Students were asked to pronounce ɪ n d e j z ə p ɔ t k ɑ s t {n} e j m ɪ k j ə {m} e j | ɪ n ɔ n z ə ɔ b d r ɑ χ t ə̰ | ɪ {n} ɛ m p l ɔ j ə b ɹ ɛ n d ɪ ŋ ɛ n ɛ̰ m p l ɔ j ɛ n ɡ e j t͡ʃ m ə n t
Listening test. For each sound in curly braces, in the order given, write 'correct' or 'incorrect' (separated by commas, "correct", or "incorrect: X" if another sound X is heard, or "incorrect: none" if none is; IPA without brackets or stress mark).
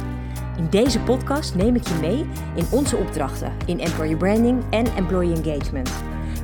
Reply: correct, correct, correct